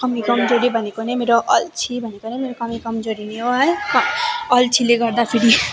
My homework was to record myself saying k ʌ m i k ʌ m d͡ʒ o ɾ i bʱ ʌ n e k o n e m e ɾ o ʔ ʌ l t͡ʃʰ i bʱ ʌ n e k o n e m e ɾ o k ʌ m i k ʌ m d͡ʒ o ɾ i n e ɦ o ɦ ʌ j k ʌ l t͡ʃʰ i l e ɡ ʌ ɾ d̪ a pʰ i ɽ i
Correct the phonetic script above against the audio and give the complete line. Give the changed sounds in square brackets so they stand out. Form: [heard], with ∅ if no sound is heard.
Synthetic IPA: k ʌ m i k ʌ m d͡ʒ o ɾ i bʱ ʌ n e k o n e m e ɾ o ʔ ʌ l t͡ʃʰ i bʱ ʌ n e k o n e m e ɾ o k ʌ m i k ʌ m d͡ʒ o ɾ i n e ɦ o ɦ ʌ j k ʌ l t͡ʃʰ i l e ɡ ʌ ɾ d̪ a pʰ i ɽ i